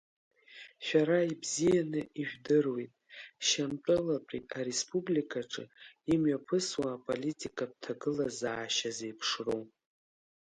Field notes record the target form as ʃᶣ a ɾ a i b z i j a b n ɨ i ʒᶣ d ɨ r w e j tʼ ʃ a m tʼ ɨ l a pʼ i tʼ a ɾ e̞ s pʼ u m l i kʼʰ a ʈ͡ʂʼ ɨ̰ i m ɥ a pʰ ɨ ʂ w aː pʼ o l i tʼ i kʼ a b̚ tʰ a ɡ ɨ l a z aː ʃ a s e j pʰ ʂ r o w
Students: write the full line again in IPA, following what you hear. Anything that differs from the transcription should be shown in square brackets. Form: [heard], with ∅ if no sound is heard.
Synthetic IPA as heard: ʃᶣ a ɾ a i b z i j a [∅] n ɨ i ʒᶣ d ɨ r w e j tʼ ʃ a m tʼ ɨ l a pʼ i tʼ a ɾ e̞ s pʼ u [b] l i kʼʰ a ʈ͡ʂʼ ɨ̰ i m ɥ a pʰ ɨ [s] w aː pʼ o l i tʼ i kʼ a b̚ tʰ a ɡ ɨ l a z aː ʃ a [z] e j pʰ ʂ r o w